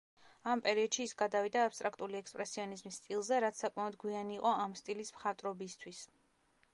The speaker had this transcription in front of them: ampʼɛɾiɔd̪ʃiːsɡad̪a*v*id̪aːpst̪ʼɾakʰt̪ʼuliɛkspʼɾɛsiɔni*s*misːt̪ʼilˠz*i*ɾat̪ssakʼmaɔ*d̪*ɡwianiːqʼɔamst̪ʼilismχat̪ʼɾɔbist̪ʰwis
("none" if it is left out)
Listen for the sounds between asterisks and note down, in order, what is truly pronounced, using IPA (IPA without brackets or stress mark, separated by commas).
v, z, ɛ, d̪